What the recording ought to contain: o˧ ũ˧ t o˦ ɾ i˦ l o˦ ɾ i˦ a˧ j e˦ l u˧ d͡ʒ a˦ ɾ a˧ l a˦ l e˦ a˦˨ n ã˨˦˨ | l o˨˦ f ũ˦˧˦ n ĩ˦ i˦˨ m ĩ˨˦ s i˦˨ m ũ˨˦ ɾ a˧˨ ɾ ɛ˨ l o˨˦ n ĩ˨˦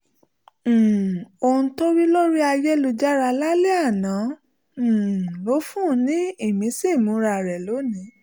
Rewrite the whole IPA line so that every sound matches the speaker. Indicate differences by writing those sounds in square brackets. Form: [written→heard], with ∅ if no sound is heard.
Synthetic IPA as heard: o˧ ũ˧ t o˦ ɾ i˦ l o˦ ɾ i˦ a˧ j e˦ l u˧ d͡ʒ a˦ ɾ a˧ l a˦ l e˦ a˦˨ n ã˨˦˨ | l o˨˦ f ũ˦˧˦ n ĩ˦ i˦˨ m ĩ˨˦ s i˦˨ m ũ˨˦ ɾ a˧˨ ɾ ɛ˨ l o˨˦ n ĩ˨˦